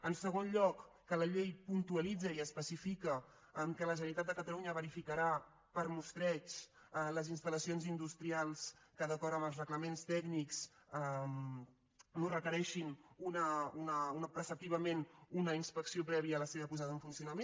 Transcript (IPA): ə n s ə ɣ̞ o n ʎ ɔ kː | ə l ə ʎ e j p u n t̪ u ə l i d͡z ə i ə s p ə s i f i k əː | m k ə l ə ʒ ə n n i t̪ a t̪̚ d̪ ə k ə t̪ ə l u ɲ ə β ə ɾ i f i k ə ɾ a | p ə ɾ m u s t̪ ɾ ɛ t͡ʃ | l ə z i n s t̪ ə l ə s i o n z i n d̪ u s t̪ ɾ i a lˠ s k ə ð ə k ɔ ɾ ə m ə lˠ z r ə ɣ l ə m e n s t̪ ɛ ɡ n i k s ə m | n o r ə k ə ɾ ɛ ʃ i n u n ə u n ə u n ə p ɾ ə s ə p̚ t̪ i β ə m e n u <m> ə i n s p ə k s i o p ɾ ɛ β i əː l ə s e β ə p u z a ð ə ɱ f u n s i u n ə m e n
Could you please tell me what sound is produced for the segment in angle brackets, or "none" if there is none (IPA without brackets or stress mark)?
n